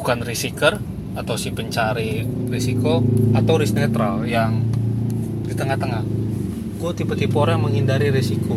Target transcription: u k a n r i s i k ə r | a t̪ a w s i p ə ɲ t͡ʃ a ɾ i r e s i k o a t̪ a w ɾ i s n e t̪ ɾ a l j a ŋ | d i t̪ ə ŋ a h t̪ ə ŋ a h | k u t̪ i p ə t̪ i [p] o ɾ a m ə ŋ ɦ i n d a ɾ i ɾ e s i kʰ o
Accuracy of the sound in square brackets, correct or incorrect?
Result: correct